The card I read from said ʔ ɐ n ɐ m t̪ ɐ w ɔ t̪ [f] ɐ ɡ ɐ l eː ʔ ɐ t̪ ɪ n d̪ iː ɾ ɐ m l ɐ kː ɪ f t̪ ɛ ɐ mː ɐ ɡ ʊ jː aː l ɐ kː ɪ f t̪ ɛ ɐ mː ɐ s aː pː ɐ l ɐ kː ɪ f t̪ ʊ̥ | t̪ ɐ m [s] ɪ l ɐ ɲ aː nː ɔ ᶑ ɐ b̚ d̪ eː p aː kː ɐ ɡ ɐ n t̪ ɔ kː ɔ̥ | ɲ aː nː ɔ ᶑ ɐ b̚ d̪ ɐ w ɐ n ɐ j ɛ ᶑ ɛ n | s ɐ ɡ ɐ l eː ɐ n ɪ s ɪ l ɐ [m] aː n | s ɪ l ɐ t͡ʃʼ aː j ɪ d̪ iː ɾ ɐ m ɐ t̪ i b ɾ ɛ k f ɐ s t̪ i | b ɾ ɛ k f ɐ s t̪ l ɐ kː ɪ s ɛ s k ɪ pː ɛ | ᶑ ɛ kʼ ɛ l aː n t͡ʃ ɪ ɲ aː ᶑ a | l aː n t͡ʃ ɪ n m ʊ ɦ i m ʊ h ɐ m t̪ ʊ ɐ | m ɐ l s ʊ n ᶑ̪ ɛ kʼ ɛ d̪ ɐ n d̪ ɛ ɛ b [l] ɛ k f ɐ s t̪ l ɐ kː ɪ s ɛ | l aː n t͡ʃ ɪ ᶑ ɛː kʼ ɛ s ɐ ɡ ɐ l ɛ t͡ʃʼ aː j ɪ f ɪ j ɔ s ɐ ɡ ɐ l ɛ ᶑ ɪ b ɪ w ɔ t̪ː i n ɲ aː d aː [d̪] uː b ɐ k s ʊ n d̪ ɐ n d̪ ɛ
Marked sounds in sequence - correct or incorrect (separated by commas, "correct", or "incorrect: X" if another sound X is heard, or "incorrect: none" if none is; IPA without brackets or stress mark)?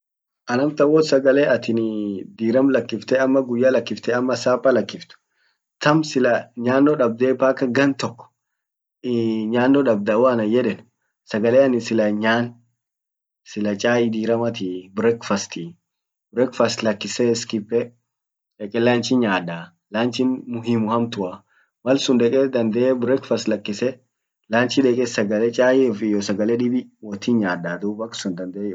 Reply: incorrect: s, correct, incorrect: ɲ, incorrect: ɾ, correct